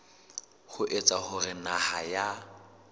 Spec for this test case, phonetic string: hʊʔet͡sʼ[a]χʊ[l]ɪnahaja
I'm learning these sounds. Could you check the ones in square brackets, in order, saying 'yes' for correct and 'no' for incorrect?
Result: yes, no

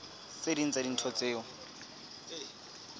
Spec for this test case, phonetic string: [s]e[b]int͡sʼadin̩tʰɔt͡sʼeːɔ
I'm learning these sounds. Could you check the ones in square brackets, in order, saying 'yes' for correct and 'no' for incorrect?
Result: yes, no

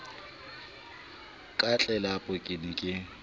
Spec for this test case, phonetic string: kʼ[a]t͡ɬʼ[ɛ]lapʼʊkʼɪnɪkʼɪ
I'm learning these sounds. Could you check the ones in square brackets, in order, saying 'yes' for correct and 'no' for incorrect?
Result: yes, yes

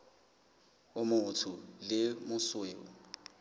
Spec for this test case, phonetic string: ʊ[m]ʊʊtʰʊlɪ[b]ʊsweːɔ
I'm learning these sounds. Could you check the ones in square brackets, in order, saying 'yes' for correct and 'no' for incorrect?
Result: yes, no

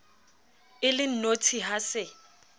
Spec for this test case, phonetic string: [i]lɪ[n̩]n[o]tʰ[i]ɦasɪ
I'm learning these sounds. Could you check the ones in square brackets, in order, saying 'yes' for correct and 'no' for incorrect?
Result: no, yes, yes, yes

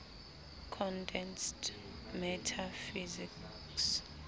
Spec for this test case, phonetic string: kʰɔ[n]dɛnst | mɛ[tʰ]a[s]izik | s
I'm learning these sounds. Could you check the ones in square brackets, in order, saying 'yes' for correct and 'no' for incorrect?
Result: yes, yes, no

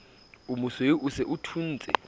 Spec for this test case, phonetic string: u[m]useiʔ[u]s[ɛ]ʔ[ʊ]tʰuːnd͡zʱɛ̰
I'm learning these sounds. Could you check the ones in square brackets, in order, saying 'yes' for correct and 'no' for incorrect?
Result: yes, yes, yes, no

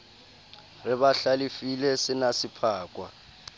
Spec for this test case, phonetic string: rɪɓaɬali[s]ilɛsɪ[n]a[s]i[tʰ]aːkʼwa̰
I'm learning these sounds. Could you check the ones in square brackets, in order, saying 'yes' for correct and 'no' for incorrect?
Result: no, yes, yes, no

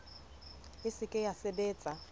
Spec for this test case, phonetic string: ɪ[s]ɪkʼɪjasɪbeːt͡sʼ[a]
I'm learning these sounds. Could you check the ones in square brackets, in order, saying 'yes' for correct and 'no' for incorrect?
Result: yes, yes

